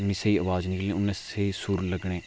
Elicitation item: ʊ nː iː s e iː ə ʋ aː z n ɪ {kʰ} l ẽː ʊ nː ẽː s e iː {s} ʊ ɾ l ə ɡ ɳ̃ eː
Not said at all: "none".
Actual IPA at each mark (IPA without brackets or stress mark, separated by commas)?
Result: k, s